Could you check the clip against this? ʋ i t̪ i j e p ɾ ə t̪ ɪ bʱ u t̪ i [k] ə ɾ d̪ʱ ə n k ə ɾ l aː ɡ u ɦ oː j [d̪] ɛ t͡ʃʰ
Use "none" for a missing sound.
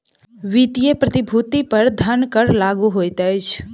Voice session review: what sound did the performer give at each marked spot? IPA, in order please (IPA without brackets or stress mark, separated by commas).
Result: p, t̪